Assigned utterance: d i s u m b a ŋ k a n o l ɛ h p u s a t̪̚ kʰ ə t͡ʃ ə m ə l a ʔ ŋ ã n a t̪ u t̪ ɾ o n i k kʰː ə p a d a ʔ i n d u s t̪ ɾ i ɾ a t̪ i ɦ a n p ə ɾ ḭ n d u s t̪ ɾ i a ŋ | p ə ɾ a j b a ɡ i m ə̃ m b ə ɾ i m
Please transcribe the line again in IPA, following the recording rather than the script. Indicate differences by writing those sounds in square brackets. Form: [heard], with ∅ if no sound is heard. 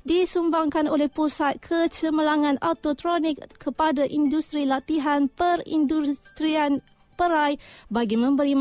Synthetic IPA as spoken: d i s u m b a ŋ k a n o l ɛ h p u s a t̪̚ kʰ ə t͡ʃ ə m ə l a [∅] ŋ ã n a t̪ [o] t̪ ɾ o n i k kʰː ə p a d a ʔ i n d u s t̪ ɾ i [l] a t̪ i ɦ a n p ə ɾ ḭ n d u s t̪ ɾ i a [n] | p ə ɾ a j b a ɡ i m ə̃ m b ə ɾ i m